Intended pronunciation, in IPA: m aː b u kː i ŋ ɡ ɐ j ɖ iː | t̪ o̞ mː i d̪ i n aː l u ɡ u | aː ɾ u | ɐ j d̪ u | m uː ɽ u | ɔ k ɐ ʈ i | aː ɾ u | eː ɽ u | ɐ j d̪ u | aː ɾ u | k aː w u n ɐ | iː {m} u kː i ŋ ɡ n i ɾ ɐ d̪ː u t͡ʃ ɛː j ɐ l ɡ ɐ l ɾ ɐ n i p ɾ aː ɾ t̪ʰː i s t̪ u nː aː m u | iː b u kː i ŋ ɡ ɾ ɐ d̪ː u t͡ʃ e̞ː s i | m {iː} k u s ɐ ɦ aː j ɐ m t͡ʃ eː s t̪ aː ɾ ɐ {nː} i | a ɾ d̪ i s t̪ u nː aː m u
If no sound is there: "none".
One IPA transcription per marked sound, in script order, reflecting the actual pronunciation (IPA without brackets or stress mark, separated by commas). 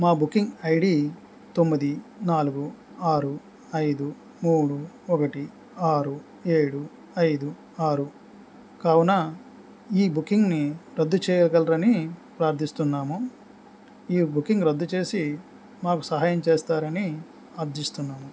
b, aː, n